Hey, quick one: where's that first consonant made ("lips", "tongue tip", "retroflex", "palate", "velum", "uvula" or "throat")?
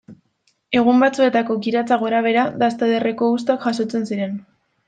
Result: velum